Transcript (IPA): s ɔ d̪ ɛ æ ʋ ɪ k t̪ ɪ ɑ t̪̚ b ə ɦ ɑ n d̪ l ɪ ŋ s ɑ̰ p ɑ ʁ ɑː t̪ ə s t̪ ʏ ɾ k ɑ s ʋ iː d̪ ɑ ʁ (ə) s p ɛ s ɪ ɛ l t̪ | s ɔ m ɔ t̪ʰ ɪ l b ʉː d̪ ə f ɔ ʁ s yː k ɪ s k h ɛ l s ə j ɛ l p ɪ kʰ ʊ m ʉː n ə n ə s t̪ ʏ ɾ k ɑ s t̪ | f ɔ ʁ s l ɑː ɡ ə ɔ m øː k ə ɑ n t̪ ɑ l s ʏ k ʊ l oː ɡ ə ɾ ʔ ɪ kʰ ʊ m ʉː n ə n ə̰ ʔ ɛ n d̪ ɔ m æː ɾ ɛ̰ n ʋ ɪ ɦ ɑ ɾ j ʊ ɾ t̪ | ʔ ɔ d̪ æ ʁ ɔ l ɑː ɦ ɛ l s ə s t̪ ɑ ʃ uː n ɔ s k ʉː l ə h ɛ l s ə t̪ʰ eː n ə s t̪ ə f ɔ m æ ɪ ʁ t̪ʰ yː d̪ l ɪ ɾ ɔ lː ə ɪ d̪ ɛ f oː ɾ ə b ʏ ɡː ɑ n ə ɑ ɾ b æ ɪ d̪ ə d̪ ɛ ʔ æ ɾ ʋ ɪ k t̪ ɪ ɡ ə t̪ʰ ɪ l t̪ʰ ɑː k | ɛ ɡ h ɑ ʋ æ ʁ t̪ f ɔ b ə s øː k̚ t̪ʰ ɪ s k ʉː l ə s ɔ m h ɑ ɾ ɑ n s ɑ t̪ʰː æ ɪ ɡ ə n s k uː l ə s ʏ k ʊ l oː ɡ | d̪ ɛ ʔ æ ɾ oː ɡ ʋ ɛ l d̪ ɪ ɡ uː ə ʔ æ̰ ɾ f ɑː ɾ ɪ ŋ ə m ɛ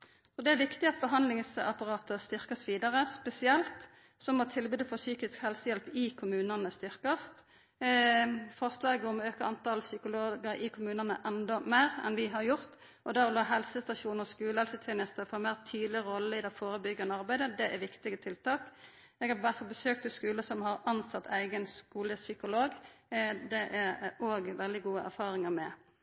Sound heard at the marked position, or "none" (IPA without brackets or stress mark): ə